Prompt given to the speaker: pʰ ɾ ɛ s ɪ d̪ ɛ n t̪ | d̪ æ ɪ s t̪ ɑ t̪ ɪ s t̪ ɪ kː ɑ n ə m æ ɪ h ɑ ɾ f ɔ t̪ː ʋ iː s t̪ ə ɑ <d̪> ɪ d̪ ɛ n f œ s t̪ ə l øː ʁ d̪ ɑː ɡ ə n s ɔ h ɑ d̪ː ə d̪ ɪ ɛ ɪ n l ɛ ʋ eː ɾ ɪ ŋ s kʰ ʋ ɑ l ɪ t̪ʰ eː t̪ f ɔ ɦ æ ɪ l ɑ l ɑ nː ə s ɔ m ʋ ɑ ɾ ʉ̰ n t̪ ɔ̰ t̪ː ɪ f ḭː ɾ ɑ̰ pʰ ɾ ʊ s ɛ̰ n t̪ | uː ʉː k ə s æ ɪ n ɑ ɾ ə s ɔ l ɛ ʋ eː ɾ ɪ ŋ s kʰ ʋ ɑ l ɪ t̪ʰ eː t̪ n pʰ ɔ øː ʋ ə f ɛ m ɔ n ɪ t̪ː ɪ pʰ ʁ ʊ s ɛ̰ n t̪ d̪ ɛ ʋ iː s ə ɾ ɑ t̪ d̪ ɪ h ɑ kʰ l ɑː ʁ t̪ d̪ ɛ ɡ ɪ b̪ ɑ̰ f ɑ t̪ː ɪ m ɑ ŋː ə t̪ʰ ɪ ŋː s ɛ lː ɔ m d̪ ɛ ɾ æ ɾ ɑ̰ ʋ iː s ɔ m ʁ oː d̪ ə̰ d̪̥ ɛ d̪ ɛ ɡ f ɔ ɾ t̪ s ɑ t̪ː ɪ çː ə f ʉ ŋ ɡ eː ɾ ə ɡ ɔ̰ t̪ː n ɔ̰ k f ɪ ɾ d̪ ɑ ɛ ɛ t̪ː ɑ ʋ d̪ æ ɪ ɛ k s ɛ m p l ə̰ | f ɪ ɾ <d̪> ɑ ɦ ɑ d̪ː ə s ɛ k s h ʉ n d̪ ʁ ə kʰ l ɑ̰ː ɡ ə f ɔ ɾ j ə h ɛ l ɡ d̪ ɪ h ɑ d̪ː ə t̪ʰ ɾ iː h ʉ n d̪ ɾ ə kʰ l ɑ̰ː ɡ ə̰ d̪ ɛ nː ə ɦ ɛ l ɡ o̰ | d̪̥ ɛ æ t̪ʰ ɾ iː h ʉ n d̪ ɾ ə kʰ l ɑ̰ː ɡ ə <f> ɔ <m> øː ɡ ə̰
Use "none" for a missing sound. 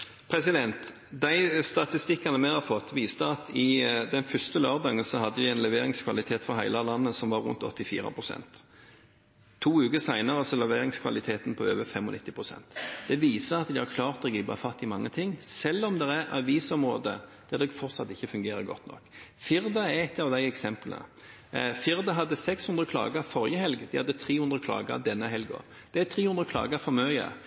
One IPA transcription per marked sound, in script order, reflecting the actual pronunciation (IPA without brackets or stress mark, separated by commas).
t̪, d̪, f, m